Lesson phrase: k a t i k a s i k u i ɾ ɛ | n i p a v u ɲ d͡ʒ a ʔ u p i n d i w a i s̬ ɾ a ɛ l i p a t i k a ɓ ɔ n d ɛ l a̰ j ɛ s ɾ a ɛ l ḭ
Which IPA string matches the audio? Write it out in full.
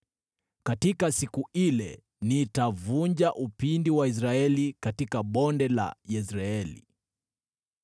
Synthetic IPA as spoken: k a t i k a s i k u i l ɛ | n i t a v u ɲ d͡ʒ a ʔ u p i n d i w a i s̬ ɾ a ɛ l i k a t i k a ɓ ɔ n d ɛ l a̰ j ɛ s ɾ a ɛ l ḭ